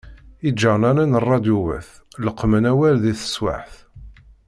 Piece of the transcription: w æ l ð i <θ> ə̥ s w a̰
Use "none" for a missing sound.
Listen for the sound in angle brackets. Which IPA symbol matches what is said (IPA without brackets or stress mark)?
θ